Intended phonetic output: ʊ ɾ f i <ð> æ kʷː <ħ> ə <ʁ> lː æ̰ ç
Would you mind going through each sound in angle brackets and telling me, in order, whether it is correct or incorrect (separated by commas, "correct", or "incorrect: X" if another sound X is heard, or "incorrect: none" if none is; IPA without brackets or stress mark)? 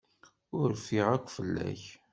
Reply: incorrect: ʁ, incorrect: f, incorrect: none